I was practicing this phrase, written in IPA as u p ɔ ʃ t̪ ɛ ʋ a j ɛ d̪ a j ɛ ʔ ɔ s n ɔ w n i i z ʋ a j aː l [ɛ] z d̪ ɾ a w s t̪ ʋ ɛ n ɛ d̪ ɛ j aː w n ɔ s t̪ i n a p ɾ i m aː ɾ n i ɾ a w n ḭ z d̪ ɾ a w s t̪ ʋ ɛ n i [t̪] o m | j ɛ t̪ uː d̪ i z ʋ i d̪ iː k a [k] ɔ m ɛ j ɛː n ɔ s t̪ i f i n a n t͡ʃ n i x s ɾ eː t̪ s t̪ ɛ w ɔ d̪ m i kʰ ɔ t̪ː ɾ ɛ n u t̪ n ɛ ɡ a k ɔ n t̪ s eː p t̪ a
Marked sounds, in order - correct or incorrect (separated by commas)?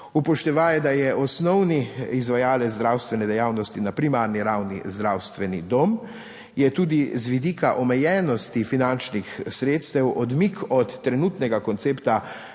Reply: correct, incorrect, incorrect